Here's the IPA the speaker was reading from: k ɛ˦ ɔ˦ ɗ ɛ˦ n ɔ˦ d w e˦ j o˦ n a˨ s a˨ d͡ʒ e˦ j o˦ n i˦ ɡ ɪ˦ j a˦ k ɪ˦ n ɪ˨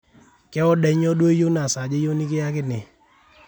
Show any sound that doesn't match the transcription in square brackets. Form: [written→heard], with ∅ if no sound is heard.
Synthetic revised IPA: k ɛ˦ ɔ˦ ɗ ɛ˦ [n→ɲ] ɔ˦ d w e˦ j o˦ n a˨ s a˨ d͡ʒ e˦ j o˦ n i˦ [ɡ→k] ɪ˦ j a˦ k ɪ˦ n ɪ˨